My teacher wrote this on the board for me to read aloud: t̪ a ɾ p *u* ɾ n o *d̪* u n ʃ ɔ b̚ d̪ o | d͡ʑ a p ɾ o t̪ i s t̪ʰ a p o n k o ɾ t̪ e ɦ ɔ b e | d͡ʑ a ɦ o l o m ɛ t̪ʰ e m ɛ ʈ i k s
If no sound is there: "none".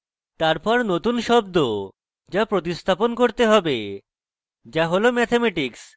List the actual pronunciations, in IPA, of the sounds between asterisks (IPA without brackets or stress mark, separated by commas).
ɔ, t̪